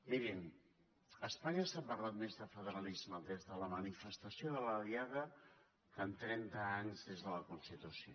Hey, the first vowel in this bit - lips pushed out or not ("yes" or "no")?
no